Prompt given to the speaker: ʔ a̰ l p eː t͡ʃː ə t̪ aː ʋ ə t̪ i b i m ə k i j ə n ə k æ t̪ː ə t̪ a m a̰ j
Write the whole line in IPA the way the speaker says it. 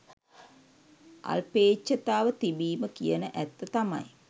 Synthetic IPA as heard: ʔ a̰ l p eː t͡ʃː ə t̪ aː ʋ ə t̪ i b iː m ə k i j ə n ə ʔ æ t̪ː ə t̪ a m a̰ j

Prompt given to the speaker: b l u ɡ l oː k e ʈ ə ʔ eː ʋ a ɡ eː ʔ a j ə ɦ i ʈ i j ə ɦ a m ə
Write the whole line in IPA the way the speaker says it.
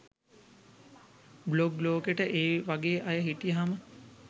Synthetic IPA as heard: b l o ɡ l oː k e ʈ ə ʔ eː ʋ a ɡ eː ʔ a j ə ɦ i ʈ i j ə ɦ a m ə

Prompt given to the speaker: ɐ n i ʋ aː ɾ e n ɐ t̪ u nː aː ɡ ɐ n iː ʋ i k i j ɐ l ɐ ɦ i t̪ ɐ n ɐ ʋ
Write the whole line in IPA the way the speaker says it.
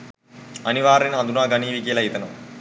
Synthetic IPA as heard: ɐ n i ʋ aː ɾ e n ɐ d̪ u n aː ɡ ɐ n iː ʋ i k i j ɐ l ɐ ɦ i t̪ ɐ n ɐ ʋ

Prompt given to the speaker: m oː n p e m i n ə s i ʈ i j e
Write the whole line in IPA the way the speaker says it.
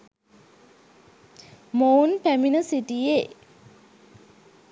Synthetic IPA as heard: m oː n p æ m i n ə s i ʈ i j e

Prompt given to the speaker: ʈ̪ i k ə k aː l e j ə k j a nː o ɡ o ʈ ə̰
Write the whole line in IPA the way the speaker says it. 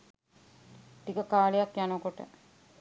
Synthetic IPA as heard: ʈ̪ i k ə k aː l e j a k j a n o k o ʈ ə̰

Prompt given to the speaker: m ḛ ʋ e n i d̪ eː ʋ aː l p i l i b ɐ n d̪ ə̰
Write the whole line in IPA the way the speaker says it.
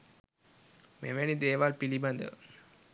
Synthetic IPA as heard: m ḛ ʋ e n i d̪ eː ʋ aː l p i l i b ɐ n d̪ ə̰

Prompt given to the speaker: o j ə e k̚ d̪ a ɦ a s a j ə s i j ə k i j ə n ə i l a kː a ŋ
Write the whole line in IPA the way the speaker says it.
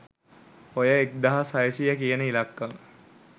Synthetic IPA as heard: o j ə e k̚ d̪ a ɦ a s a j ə s i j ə k i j ə n ə i l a kː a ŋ

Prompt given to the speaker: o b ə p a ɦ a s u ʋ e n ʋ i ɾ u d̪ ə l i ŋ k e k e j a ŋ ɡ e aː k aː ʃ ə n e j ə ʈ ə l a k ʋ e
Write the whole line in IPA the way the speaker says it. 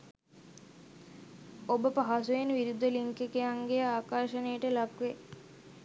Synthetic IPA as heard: o b ə p a ɦ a s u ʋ e n ʋ i ɾ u d̪ ə l i ŋ k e k e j a ŋ ɡ e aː k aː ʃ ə n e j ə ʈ ə l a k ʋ e

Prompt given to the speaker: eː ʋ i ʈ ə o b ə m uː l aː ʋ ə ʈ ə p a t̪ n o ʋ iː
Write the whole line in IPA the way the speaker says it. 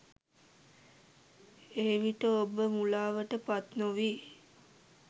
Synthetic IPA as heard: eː ʋ i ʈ ə o b ə m u l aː ʋ ə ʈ ə p a t̪ n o ʋ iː

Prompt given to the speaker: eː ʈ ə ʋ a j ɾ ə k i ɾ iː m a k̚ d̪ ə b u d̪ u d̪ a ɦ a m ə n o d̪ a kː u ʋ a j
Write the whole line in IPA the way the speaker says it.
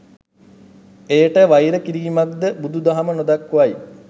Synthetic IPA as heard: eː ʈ ə ʋ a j ɾ ə k i ɾ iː m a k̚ d̪ ə b u d̪ u d̪ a ɦ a m ə n o d̪ a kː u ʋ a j

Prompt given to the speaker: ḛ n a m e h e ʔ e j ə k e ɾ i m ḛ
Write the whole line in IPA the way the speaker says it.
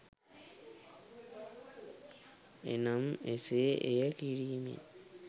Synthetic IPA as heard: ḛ n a m e s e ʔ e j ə k i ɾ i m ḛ

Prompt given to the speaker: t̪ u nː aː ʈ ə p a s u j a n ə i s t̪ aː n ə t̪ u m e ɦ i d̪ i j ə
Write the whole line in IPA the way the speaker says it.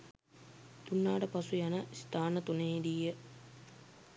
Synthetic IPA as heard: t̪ u nː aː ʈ ə p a s u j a n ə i s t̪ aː n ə t̪ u n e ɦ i d̪ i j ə

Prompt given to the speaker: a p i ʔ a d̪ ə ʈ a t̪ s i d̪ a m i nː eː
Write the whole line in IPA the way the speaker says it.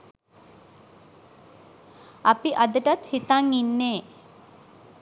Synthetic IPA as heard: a p i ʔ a d̪ ə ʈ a t̪ h i t̪ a ŋ i nː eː

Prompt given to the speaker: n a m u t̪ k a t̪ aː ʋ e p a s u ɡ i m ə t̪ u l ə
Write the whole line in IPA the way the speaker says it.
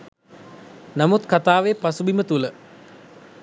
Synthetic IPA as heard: n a m u t̪ k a t̪ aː ʋ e p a s u b i m ə t̪ u l ə

